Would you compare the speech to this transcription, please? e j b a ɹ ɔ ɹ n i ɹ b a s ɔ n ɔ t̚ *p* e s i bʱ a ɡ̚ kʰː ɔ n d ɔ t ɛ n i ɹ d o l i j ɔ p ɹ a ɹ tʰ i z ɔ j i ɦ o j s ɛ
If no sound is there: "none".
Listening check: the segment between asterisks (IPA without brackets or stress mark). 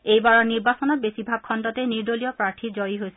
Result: b